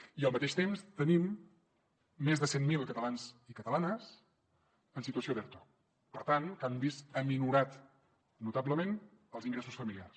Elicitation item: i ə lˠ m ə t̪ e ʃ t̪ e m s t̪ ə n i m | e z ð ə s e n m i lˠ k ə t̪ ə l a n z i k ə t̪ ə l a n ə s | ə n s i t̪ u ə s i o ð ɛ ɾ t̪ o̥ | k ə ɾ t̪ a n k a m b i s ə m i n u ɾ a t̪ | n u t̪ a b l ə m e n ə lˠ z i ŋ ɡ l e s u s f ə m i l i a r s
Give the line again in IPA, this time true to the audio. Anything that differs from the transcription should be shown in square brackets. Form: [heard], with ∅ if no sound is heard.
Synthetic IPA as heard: i ə lˠ m ə t̪ e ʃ t̪ e m s t̪ ə n i m | e z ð ə s e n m i lˠ k ə t̪ ə l a n z i k ə t̪ ə l a n ə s | ə n s i t̪ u ə s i o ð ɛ ɾ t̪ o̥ | [p] ə ɾ t̪ a n k a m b i s ə m i n u ɾ a t̪ | n u t̪ a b l ə m e n ə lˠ z i ŋ ɡ [ɾ] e s u s f ə m i l i a r s